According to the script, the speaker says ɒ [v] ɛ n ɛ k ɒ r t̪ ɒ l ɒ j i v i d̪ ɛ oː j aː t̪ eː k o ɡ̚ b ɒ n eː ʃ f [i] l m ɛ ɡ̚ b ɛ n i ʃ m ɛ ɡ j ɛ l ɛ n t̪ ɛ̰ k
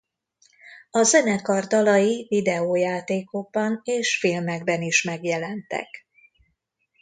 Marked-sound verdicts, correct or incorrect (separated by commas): incorrect, correct